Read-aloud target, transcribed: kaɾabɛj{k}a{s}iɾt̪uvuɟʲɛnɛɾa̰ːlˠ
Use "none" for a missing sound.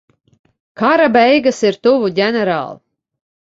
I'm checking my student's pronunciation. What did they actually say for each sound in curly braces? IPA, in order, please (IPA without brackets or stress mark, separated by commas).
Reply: ɡ, s